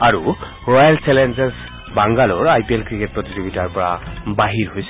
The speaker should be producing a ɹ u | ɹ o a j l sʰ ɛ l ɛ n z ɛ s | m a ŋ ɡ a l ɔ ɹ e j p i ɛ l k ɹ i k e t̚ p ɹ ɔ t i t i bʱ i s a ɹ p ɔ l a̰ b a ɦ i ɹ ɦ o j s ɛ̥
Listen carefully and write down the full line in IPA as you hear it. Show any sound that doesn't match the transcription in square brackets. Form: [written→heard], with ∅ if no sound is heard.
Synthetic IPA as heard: a ɹ u | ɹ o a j l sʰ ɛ l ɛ n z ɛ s | [m→b] a ŋ ɡ a l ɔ ɹ [e→a] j p i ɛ l k ɹ i k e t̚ p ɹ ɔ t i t i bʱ i [s→t] a ɹ p ɔ [l→ɹ] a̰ b a ɦ i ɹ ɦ o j s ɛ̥